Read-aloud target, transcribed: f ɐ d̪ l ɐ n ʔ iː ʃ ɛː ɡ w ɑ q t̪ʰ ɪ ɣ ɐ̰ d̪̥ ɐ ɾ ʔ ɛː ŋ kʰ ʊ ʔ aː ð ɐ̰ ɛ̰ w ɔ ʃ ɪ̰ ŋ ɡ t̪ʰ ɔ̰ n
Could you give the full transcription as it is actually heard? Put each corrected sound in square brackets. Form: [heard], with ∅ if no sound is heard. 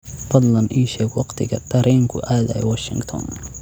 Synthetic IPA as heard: f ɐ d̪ l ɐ n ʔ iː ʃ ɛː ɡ w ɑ q t̪ʰ ɪ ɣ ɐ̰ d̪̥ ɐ ɾ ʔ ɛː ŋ kʰ ʊ ʔ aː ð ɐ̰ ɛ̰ w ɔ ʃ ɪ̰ ŋ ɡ t̪ʰ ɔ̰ n